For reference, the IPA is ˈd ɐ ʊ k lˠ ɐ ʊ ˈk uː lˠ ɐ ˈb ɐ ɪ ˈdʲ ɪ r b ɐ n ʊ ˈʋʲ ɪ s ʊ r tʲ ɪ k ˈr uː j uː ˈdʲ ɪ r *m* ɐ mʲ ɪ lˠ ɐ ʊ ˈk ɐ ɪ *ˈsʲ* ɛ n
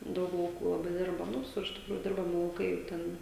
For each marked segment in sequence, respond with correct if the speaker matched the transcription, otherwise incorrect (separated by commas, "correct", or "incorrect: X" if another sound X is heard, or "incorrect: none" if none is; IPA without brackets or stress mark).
incorrect: b, incorrect: tʲ